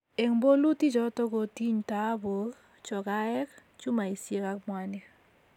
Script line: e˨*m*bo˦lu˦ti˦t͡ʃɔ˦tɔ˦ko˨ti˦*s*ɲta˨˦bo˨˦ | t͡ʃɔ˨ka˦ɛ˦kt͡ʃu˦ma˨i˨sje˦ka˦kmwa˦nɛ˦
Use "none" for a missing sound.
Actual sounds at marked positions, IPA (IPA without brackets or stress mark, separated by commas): ŋ, none